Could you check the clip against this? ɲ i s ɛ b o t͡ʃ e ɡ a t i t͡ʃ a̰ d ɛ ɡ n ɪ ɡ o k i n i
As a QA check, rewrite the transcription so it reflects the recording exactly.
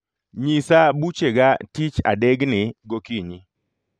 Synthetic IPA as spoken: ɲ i s a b u t͡ʃ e ɡ a t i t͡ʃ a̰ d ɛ ɡ n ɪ ɡ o k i ɲ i